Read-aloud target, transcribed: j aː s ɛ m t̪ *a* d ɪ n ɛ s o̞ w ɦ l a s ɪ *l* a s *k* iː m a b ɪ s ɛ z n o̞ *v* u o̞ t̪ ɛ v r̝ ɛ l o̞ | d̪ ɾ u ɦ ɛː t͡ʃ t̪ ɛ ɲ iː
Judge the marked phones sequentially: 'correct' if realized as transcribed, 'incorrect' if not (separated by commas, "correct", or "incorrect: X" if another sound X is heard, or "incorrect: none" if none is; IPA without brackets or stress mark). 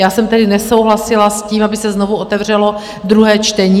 incorrect: ɛ, correct, incorrect: c, correct